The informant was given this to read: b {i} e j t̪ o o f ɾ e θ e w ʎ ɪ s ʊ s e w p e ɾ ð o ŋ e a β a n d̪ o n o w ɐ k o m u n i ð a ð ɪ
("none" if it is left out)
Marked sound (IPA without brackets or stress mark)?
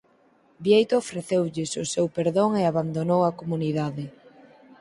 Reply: j